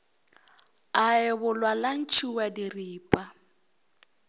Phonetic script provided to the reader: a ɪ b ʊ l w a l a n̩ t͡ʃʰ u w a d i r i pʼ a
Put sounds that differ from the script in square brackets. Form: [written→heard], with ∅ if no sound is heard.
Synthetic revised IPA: a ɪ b ʊ l w a l a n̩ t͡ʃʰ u w a d i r [i→iː] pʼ a